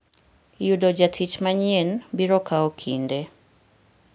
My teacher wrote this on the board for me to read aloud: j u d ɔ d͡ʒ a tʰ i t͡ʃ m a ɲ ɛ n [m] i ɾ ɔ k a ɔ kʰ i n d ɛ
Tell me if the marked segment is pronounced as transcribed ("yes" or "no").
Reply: no